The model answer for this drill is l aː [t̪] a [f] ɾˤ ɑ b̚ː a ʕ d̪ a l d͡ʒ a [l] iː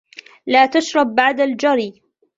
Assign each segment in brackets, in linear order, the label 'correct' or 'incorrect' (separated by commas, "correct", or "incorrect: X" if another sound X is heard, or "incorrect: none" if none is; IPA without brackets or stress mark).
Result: correct, incorrect: ʃ, incorrect: ɾ